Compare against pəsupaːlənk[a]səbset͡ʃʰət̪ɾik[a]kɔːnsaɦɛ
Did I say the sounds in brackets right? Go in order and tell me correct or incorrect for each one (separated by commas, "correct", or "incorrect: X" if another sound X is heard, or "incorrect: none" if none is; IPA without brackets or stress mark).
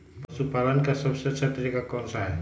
correct, correct